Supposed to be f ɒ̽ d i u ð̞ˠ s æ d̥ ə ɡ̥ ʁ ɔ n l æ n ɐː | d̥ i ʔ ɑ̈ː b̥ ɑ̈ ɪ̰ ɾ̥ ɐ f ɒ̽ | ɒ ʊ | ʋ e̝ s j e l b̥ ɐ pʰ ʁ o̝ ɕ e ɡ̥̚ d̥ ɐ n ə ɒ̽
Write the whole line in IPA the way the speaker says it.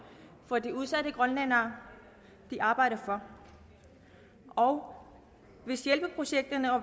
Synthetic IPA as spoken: f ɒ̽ d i u ð̞ˠ s æ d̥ ə ɡ̥ ʁ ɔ n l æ n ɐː | d̥ i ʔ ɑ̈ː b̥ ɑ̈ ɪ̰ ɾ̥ ɐ f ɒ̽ | ɒ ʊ | ʋ e̝ s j e l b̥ ə pʰ ʁ o̝ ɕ e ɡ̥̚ d̥ ɐ n ə ɒ̽